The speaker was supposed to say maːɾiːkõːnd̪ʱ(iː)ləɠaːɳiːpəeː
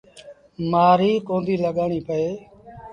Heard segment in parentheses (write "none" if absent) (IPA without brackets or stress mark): iː